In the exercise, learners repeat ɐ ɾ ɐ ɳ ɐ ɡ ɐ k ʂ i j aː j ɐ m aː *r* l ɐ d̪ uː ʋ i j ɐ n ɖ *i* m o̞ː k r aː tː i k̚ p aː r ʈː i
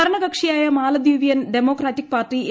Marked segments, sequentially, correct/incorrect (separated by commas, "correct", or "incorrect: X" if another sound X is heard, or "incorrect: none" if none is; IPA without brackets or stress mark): incorrect: none, incorrect: e